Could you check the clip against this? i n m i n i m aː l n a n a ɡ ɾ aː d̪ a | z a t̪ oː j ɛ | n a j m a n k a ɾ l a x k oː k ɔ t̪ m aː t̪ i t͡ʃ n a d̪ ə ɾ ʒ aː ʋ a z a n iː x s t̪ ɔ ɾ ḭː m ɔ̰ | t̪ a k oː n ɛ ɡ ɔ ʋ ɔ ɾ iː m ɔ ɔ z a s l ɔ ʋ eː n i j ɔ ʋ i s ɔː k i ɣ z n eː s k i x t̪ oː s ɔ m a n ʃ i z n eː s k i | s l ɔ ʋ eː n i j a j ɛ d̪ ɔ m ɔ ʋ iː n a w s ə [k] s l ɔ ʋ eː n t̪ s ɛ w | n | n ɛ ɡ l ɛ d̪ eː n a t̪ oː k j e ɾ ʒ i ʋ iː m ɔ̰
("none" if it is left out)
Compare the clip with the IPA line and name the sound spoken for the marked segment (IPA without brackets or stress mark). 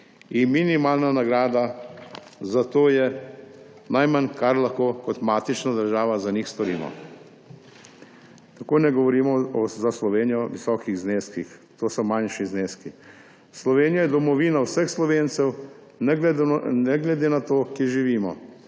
x